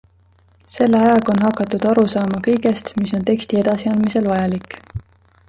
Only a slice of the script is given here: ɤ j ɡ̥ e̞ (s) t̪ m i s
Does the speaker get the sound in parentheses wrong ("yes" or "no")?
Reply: no